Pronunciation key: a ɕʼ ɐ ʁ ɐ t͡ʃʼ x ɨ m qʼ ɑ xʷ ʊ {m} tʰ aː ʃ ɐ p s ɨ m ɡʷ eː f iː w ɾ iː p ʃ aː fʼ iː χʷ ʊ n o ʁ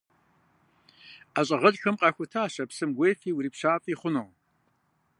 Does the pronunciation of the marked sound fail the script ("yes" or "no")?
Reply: yes